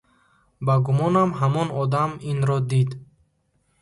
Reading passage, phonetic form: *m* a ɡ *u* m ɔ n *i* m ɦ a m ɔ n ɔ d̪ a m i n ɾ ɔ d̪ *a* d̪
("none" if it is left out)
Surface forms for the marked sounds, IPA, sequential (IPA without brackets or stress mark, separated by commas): b, u, a, i